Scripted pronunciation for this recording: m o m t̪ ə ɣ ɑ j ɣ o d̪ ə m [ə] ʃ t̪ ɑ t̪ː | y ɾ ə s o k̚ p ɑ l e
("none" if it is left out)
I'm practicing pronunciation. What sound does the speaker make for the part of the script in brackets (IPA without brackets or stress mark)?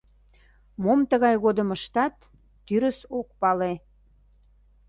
ə